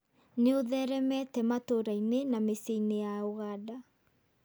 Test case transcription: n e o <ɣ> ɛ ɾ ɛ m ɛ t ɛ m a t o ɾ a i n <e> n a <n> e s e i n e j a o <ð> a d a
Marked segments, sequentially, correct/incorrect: incorrect, correct, incorrect, incorrect

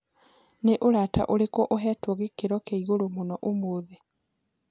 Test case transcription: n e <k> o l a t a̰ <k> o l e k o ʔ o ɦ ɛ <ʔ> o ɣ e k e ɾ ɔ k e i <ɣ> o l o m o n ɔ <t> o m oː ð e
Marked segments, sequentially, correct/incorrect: incorrect, incorrect, incorrect, correct, incorrect

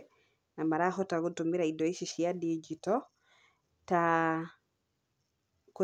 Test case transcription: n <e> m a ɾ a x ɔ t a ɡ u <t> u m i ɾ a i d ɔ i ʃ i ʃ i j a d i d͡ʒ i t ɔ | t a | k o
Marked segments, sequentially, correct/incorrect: incorrect, correct

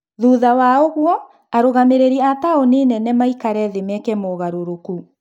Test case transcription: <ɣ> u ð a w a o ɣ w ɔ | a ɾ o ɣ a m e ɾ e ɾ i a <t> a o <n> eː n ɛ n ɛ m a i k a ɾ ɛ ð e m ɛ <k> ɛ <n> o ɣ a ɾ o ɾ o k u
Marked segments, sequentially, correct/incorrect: incorrect, correct, correct, correct, incorrect

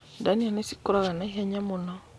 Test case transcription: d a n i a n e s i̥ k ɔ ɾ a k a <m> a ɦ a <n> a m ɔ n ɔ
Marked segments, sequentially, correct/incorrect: incorrect, incorrect

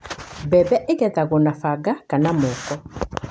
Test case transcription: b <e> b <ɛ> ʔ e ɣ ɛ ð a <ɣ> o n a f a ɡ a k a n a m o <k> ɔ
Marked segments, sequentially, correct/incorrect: incorrect, correct, correct, correct

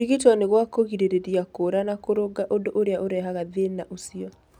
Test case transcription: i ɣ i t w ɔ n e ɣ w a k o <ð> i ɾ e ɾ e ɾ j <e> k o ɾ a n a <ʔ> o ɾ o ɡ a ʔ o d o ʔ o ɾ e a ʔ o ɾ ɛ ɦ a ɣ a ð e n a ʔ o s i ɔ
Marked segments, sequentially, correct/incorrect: incorrect, incorrect, incorrect

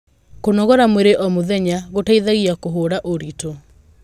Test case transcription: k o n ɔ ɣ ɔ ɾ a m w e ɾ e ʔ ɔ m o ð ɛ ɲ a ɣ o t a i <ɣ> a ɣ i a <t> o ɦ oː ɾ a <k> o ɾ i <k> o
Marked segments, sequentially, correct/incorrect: incorrect, incorrect, incorrect, incorrect

